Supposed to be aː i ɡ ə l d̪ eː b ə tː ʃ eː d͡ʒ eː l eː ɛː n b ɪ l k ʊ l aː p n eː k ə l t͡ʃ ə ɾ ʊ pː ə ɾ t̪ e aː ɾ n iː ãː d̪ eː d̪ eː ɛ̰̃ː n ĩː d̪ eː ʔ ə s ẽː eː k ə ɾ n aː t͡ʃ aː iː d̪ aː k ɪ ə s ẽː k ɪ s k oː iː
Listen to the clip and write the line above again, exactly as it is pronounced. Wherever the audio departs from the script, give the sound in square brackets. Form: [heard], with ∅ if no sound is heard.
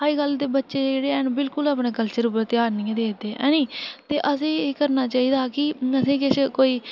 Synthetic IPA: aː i ɡ ə l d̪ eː b ə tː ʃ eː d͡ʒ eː [ɽ] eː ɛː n b ɪ l k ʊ l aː p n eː k ə l t͡ʃ ə ɾ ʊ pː ə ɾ t̪ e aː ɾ n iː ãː d̪ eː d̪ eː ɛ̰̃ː n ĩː [t̪] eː ʔ ə s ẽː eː k ə ɾ n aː t͡ʃ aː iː d̪ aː k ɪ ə s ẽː k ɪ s k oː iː